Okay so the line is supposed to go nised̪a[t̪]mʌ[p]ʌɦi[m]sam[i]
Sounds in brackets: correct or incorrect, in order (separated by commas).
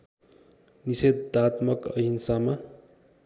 correct, incorrect, incorrect, incorrect